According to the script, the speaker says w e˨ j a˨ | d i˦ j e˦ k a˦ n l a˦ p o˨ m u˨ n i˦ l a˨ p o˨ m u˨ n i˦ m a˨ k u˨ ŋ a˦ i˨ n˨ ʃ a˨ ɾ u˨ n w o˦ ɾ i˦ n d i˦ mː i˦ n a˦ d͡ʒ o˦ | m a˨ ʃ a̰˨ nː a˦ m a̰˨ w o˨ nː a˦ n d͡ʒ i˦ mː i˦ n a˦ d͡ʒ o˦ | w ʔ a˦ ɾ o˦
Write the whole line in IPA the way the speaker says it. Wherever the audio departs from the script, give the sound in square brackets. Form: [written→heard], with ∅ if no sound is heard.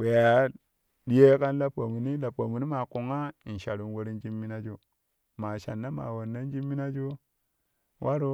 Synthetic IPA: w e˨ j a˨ | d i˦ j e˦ k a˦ n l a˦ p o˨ m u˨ n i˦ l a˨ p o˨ m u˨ n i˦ m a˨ k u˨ ŋ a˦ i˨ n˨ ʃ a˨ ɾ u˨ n w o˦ ɾ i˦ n [d→d͡ʒ] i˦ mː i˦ n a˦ d͡ʒ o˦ | m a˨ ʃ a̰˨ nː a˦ m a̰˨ w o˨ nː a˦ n d͡ʒ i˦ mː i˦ n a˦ d͡ʒ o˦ | w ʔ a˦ ɾ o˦